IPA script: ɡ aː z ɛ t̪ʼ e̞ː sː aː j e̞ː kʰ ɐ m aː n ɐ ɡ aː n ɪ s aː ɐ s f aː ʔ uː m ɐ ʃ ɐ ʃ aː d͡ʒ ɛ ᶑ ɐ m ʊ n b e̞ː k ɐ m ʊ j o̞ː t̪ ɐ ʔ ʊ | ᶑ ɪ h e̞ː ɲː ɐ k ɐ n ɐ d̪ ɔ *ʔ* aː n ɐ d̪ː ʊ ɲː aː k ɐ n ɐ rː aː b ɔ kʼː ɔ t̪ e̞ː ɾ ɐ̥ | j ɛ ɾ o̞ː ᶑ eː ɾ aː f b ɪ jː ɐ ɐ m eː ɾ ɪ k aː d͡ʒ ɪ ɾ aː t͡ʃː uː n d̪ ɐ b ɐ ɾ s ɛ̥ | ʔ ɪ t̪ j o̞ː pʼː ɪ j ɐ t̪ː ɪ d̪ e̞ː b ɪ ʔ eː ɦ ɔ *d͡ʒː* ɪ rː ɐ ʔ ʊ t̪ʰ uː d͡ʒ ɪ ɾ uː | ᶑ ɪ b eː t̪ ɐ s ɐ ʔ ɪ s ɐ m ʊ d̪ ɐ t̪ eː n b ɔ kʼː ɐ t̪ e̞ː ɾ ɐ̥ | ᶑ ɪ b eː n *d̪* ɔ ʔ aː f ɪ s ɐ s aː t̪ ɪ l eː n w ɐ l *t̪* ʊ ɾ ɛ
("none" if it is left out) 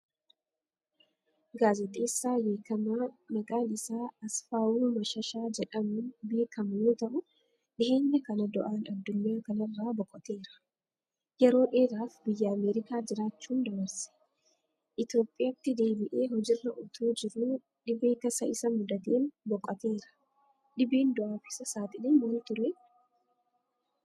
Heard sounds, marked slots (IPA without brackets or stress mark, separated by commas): ʔ, d͡ʒ, d̪, t̪